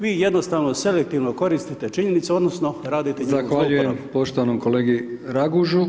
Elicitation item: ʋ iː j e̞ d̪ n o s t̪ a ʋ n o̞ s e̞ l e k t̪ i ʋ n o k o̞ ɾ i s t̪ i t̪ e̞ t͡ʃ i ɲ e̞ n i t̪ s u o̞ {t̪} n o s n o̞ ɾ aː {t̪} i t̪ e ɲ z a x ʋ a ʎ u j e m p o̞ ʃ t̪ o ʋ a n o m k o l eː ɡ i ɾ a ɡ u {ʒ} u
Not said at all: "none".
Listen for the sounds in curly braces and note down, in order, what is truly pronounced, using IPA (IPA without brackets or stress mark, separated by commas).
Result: d̪, d̪, ʒ